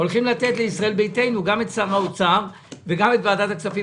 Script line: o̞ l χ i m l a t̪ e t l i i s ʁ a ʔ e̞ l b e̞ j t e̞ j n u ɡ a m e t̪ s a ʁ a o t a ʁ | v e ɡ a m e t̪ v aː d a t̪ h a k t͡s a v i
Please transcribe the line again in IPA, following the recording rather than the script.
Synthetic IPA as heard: o̞ l χ i m l a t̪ e t l e i s ʁ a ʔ e̞ l b e̞ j t e̞ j n u ɡ a m e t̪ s a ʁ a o t͡s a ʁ | v e ɡ a m e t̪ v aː d a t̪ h a k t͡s a f i